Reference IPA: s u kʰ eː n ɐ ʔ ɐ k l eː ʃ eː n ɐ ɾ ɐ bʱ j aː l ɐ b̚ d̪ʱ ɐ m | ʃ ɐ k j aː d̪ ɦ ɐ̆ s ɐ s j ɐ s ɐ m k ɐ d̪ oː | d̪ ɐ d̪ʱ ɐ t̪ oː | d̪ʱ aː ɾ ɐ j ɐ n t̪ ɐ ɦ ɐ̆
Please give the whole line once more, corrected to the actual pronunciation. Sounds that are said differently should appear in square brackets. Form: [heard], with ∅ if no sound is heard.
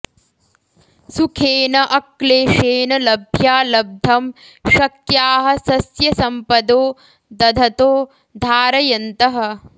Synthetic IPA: s u kʰ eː n ɐ ʔ ɐ k l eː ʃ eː n ɐ [l] ɐ bʱ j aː l ɐ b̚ d̪ʱ ɐ m | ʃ ɐ k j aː [∅] ɦ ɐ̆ s ɐ s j ɐ s ɐ m [p] ɐ d̪ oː | d̪ ɐ d̪ʱ ɐ t̪ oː | d̪ʱ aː ɾ ɐ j ɐ n t̪ ɐ ɦ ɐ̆